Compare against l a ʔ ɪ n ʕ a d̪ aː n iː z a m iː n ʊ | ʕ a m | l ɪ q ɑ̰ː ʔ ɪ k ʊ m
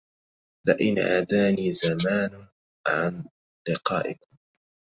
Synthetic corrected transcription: l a ʔ ɪ n ʕ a d̪ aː n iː z a m aː n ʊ | ʕ a n | l ɪ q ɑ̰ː ʔ ɪ k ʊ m